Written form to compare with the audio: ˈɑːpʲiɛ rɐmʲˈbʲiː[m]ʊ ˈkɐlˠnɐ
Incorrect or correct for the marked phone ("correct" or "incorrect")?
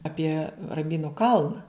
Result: incorrect